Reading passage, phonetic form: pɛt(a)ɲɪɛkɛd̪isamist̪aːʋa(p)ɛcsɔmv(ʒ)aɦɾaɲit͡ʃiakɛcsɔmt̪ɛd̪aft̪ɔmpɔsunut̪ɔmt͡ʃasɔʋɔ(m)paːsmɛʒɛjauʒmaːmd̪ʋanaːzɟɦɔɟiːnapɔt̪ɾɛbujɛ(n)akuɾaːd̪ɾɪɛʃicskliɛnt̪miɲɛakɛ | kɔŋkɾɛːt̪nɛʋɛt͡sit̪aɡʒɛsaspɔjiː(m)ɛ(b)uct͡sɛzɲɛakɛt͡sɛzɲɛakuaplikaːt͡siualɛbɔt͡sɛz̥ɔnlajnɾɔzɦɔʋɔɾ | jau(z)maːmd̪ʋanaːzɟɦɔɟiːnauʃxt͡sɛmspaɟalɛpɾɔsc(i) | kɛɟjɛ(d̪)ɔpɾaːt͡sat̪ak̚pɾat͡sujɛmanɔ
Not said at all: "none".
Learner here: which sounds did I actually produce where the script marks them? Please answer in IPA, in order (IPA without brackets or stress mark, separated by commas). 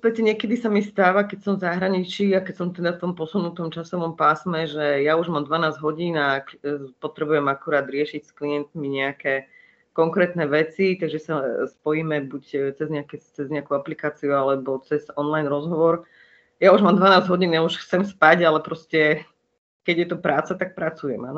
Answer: ɛ, k, z, m, m, m, b, ʒ, ɛ, t̪